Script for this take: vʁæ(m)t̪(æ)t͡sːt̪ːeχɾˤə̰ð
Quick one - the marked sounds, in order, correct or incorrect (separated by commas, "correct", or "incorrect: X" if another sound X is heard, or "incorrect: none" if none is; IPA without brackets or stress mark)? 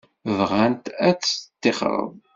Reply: incorrect: n, correct